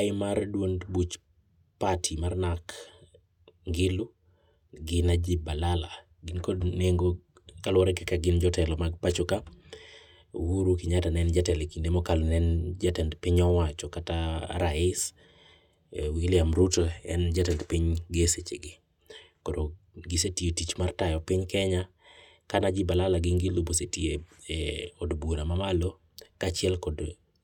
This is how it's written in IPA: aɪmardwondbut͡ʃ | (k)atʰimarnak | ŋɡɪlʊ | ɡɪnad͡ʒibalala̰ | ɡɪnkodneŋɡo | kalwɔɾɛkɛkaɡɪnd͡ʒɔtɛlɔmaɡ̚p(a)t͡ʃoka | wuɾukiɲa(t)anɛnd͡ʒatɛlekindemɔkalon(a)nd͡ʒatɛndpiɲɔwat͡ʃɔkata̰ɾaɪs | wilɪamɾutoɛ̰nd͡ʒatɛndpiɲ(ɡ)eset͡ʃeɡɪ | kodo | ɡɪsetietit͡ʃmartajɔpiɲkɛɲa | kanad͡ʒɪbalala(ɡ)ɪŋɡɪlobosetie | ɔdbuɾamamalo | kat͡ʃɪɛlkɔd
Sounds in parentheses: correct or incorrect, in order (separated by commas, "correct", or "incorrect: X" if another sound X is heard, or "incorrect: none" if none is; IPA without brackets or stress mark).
incorrect: p, correct, correct, incorrect: ɛ, correct, correct